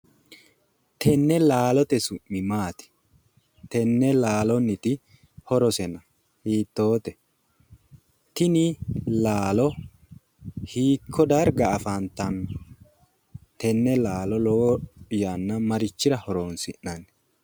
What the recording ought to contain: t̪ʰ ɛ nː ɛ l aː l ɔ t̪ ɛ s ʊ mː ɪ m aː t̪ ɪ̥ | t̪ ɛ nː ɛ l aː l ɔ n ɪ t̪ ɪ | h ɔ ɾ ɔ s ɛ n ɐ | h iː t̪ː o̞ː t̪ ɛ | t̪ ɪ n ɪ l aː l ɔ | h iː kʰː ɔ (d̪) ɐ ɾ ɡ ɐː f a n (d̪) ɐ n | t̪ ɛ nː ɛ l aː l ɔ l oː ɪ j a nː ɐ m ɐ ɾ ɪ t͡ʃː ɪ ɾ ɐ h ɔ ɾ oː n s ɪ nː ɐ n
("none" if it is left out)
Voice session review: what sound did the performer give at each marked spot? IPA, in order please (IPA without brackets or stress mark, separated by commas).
d̪, t̪